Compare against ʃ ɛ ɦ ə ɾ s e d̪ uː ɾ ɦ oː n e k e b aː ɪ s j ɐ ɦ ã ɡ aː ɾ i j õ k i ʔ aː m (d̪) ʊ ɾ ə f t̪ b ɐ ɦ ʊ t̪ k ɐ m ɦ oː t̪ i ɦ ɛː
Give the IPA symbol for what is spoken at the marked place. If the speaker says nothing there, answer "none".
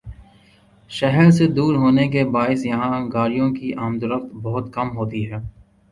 d̪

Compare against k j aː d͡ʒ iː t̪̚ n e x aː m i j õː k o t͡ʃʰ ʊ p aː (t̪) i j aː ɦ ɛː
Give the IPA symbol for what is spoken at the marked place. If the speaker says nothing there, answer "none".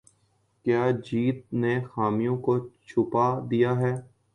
d̪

